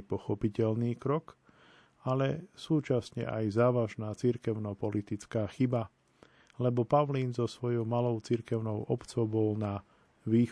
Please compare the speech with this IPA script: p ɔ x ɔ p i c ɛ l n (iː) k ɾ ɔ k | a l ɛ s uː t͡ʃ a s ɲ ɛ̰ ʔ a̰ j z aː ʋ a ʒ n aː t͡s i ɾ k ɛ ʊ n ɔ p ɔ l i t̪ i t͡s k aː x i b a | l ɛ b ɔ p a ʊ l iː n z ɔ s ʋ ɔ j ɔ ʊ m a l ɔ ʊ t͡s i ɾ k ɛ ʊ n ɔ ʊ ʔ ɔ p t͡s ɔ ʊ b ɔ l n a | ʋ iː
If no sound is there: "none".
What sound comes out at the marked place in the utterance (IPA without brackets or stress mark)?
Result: iː